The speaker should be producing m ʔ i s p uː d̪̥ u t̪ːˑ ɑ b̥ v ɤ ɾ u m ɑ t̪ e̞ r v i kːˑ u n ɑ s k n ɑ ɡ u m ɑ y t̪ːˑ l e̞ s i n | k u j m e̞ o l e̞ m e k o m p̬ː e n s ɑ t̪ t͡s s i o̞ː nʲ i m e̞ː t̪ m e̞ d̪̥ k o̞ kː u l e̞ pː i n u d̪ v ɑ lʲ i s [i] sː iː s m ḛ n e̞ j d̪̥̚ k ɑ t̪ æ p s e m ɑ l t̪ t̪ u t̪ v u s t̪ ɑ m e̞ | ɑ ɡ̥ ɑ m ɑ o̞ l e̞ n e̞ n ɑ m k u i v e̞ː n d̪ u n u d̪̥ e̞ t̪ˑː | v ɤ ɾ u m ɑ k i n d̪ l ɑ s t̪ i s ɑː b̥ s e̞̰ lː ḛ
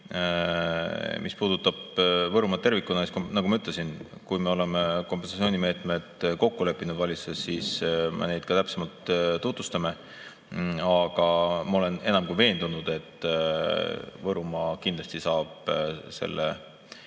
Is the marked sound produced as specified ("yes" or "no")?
no